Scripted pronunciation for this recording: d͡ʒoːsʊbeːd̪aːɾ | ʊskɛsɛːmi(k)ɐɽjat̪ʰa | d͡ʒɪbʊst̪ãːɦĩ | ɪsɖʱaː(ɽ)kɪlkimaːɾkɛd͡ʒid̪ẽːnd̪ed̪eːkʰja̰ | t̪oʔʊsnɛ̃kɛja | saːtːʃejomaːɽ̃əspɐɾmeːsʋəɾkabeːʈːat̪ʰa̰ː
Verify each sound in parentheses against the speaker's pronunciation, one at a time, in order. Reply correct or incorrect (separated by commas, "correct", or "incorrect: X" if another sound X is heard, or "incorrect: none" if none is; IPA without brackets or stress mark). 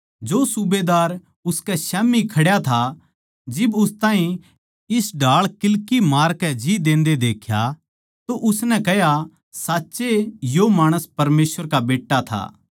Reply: incorrect: kʰ, incorrect: ɭ